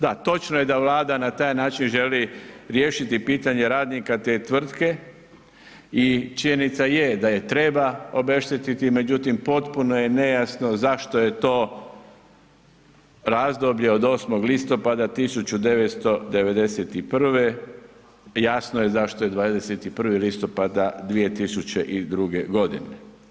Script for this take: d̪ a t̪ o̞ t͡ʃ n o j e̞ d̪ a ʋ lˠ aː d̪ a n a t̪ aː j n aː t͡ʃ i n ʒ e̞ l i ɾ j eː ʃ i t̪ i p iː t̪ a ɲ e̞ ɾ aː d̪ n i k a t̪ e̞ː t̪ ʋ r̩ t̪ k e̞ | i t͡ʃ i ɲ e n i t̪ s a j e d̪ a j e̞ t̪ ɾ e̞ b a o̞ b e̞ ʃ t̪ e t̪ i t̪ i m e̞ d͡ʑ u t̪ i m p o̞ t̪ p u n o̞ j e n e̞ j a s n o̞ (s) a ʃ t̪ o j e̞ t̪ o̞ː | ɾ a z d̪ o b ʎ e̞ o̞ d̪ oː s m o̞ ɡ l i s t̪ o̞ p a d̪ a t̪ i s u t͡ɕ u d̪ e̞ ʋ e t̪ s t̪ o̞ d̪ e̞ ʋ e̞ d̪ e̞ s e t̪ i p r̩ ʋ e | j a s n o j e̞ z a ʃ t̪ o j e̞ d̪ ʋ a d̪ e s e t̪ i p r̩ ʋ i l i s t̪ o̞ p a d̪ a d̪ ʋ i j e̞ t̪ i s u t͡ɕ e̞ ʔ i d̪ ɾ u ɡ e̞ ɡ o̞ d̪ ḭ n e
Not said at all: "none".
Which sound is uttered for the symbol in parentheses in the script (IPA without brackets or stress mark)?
z